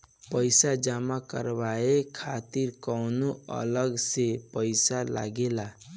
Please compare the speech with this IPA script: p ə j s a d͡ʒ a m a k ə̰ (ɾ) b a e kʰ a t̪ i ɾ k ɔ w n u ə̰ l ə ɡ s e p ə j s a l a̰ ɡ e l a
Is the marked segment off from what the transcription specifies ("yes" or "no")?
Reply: no